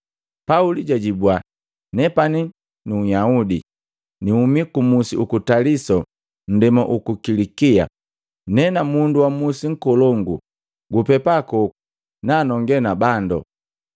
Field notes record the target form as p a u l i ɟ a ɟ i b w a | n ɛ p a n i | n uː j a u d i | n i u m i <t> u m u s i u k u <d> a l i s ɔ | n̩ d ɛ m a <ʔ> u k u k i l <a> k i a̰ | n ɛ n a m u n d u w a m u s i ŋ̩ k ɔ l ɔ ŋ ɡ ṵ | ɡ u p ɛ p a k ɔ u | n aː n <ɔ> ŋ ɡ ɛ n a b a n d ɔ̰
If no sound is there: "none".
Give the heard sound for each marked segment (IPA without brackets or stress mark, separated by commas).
k, t, ʔ, i, ɔ